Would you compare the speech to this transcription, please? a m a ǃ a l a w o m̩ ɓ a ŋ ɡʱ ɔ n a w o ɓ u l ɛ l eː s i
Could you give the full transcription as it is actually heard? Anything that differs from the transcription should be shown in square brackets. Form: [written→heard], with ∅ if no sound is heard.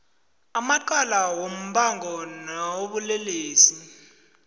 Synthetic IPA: a m a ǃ a l a w o m̩ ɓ a ŋ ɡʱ ɔ n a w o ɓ u l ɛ l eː s i